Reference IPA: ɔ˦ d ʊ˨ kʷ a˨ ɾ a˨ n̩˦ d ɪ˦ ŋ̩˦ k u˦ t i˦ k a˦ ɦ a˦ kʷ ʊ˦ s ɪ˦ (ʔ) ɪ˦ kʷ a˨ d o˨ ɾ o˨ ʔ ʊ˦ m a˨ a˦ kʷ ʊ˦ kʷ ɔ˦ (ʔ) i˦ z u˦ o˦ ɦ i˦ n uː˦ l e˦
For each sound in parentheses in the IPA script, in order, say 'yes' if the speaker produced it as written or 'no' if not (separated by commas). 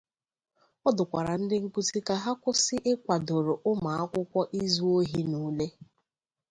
yes, yes